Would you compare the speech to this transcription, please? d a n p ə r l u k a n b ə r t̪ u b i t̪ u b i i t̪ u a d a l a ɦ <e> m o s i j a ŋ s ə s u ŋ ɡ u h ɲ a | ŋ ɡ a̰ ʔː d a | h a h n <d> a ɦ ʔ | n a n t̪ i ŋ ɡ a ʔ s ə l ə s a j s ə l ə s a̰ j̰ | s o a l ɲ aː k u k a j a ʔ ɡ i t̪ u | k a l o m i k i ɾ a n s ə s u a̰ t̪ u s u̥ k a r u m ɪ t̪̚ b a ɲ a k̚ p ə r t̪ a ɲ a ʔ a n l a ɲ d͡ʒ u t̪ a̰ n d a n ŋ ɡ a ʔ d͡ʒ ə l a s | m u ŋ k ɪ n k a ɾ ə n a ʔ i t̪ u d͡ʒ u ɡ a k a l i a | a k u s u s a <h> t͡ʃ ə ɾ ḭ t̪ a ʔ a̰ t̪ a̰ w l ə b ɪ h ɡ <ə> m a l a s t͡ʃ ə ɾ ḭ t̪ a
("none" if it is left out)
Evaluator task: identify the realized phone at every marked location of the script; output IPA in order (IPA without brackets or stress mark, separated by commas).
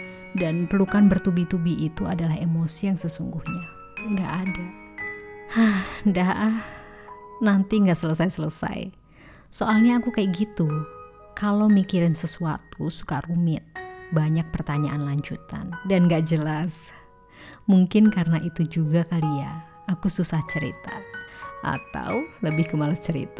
e, d, h, ə